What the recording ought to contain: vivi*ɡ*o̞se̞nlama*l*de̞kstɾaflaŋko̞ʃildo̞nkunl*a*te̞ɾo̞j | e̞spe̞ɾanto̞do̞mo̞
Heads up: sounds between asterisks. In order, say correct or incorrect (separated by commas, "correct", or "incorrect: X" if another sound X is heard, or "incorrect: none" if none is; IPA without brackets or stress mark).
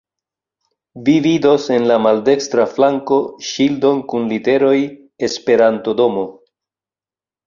incorrect: d, correct, incorrect: i